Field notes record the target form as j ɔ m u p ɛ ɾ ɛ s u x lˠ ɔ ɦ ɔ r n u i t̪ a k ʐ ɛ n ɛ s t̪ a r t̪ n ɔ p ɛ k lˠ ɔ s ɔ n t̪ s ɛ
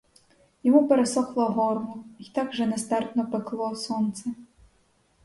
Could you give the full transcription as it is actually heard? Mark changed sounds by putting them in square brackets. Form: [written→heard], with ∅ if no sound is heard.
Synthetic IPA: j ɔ m u p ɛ ɾ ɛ s [u→ɔ] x lˠ ɔ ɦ ɔ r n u i t̪ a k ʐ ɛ n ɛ s t̪ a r t̪ n ɔ p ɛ k lˠ ɔ s ɔ n t̪ s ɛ